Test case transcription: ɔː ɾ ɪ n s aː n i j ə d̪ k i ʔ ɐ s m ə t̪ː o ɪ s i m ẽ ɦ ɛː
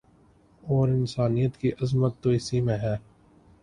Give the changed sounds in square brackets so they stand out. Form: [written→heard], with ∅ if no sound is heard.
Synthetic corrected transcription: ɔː ɾ ɪ n s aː n i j ə [d̪→t̪] k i ʔ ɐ [s→z] m ə t̪ː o ɪ s i m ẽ ɦ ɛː